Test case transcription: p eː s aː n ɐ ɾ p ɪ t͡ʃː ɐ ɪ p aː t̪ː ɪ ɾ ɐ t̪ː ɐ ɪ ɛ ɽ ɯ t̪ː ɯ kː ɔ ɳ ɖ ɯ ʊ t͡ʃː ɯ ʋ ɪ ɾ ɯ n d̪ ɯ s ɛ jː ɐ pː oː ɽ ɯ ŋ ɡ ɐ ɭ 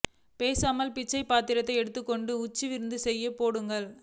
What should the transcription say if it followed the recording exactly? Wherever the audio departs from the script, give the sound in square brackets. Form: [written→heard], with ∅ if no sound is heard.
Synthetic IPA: p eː s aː [n→m] ɐ [ɾ→l] p ɪ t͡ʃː ɐ ɪ p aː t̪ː ɪ ɾ ɐ t̪ː ɐ ɪ ɛ ɽ ɯ t̪ː ɯ kː ɔ ɳ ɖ ɯ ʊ t͡ʃː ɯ ʋ ɪ ɾ ɯ n d̪ ɯ s ɛ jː ɐ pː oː ɽ ɯ ŋ ɡ ɐ ɭ